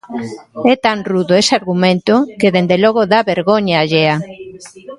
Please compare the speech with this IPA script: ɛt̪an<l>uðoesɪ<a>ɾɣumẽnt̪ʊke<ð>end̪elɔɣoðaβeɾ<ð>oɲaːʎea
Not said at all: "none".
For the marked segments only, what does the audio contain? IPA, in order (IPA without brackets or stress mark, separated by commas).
r, a, ð, ɣ